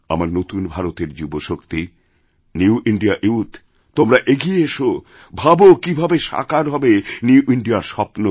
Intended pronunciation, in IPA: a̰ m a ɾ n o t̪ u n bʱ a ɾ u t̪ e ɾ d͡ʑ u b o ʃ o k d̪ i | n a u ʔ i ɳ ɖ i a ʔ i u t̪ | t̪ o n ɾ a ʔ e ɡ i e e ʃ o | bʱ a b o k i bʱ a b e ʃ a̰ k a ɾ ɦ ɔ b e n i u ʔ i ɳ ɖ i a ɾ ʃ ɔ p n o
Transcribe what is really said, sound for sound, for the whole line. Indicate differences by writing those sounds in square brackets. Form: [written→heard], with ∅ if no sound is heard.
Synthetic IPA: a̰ m a ɾ n o t̪ u n bʱ a ɾ [u→o] t̪ e ɾ d͡ʑ u b o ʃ o k [d̪→t̪] i | n [a→i] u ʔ i ɳ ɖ i a ʔ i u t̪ | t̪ o [n→m] ɾ a ʔ e ɡ i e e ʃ o | bʱ a b o k i bʱ a b e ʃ a̰ k a ɾ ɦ ɔ b e n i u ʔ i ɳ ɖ i a ɾ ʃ ɔ p n o